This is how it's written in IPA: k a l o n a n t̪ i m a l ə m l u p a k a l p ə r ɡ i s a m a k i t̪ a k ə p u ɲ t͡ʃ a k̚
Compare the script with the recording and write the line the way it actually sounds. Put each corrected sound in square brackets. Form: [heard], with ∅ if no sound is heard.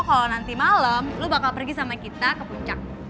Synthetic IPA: k a l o n a n t̪ i m a l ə m l u [b] a k a l p ə r ɡ i s a m a k i t̪ a k ə p u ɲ t͡ʃ a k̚